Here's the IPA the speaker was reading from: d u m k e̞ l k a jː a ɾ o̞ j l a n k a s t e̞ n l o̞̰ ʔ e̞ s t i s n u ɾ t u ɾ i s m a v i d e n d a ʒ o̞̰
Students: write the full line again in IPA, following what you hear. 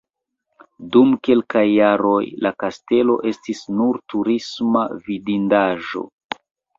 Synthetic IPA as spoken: d u m k e̞ l k a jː a ɾ o̞ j l a k a s t e̞ l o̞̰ ʔ e̞ s t i s n u ɾ t u ɾ i s m a v i d i n d a ʒ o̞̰